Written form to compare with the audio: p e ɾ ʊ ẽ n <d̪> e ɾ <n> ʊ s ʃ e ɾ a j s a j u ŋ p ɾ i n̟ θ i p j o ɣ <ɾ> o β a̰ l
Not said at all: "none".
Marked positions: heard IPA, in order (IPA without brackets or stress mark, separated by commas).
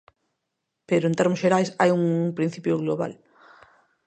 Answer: t̪, m, l